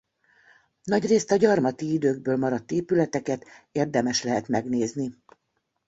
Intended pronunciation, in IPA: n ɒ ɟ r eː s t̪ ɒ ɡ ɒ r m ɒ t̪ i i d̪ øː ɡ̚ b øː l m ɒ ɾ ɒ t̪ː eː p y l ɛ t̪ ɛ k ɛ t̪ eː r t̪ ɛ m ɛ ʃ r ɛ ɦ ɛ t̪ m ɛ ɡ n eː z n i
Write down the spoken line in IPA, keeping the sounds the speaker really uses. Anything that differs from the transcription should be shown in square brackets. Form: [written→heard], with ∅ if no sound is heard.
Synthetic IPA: n ɒ ɟ r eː s t̪ ɒ [ɡ→ɟ] ɒ r m ɒ t̪ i i d̪ øː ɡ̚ b øː l m ɒ ɾ ɒ t̪ː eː p y l ɛ t̪ ɛ k ɛ t̪ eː r [t̪→d̪] ɛ m ɛ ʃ [r→l] ɛ ɦ ɛ t̪ m ɛ ɡ n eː z n i